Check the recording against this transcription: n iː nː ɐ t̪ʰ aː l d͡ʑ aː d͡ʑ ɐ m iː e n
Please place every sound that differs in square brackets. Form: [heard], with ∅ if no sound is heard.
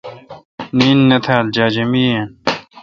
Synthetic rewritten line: n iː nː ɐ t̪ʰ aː l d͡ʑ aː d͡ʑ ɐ m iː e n